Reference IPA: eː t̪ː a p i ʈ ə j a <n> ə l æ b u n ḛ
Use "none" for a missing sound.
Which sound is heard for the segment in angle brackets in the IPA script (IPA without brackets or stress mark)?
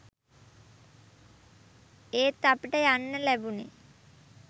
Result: nː